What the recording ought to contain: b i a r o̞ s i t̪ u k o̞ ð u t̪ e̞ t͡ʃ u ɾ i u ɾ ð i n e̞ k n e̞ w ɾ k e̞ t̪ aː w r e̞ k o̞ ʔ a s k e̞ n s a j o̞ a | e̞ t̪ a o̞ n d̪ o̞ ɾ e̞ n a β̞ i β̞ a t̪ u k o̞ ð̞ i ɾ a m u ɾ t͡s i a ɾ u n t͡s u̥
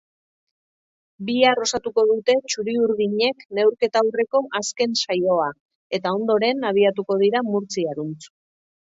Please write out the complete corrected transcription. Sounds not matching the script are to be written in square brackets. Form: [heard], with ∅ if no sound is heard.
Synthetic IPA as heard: b i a r o̞ s [a] t̪ u k o̞ ð u t̪ e̞ t͡ʃ u ɾ i u ɾ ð i [ɲ] e̞ k n e̞ w ɾ k e̞ t̪ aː w r e̞ k o̞ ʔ a s k e̞ n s a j o̞ a | e̞ t̪ a o̞ n d̪ o̞ ɾ e̞ n a β̞ i [∅] a t̪ u k o̞ ð̞ i ɾ a m u ɾ t͡s i a ɾ u n t͡s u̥

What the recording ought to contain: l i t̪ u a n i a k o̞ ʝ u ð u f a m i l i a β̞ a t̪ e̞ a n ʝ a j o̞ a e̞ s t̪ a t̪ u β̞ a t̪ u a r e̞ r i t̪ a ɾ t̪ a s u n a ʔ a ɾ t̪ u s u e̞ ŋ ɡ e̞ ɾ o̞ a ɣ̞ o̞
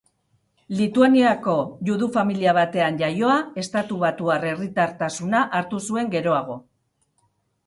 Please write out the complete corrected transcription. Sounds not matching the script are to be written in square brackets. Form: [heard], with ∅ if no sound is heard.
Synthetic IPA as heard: l i t̪ u a n i a k o̞ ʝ u ð u f a m i l i a β̞ a t̪ e̞ a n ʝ a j o̞ a e̞ s t̪ a t̪ u β̞ a t̪ u a r e̞ r i t̪ a ɾ t̪ a s u n a ʔ a ɾ t̪ u s u e̞ ŋ ɡ e̞ ɾ o̞ a ɣ̞ o̞

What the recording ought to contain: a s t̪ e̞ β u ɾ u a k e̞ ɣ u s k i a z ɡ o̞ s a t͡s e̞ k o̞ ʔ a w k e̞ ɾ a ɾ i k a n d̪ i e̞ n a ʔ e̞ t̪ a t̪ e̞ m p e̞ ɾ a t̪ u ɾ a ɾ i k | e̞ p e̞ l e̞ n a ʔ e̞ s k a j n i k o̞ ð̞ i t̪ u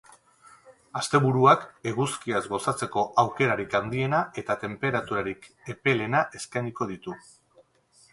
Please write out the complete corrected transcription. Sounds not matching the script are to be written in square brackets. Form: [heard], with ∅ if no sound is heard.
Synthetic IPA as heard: a s t̪ e̞ β u ɾ u a k e̞ ɣ u s k i a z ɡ o̞ s a t͡s e̞ k o̞ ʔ a w k e̞ ɾ a ɾ i k a n d̪ i e̞ n a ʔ e̞ t̪ a t̪ e̞ m p e̞ ɾ a t̪ u ɾ a ɾ i k | e̞ p e̞ l e̞ n a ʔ e̞ s k a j n i k o̞ ð̞ i t̪ u

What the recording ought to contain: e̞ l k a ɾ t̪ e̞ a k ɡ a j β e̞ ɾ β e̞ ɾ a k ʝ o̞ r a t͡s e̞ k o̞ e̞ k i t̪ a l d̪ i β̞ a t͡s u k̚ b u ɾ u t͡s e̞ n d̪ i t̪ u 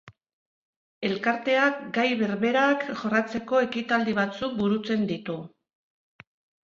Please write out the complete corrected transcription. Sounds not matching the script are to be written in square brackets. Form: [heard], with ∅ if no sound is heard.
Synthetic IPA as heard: e̞ l k a ɾ t̪ e̞ a k ɡ a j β e̞ ɾ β e̞ ɾ a k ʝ o̞ r a t͡s e̞ k o̞ e̞ k i t̪ a l d̪ i β̞ a t͡s u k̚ b u ɾ u t͡s e̞ n d̪ i t̪ u

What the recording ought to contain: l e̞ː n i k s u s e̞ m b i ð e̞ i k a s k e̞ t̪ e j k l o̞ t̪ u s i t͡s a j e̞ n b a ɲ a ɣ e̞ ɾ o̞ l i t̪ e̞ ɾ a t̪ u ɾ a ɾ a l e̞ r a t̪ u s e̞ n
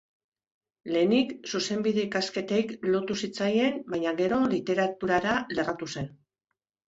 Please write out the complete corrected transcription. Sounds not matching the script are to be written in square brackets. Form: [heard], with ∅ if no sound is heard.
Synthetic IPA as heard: l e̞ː n i k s u s e̞ m b i ð e̞ i k a s k e̞ t̪ e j k l o̞ t̪ u s i t͡s a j e̞ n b a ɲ a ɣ e̞ ɾ o̞ l i t̪ e̞ ɾ a t̪ u ɾ a ɾ a l e̞ r a t̪ u s e̞ n

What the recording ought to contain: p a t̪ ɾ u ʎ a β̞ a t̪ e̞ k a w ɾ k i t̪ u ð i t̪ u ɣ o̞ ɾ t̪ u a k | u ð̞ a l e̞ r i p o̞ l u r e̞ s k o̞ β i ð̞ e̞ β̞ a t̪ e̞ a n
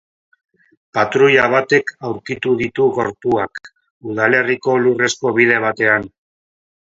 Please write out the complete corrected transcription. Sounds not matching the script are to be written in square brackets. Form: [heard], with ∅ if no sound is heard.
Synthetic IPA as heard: p a t̪ ɾ u ʎ a β̞ a t̪ e̞ k a w ɾ k i t̪ u ð i t̪ u ɣ o̞ ɾ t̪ u a k | u ð̞ a l e̞ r i [k] o̞ l u r e̞ s k o̞ β i ð̞ e̞ β̞ a t̪ e̞ a n

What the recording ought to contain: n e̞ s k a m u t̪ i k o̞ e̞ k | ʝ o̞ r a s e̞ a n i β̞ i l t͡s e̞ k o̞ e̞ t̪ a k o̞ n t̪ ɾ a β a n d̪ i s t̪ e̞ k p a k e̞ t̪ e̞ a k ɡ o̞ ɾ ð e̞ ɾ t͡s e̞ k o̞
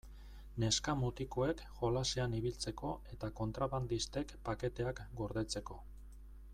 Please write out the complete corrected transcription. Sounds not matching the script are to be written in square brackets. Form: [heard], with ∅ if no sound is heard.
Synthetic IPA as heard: n e̞ s k a m u t̪ i k o̞ e̞ k | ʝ o̞ [l] a s e̞ a n i β̞ i l t͡s e̞ k o̞ e̞ t̪ a k o̞ n t̪ ɾ a β a n d̪ i s t̪ e̞ k p a k e̞ t̪ e̞ a k ɡ o̞ ɾ ð e̞ [∅] t͡s e̞ k o̞

